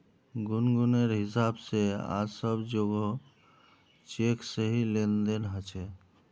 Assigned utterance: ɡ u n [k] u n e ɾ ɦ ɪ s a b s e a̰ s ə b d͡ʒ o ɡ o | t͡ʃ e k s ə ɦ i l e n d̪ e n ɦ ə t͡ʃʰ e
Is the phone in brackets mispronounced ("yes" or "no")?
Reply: yes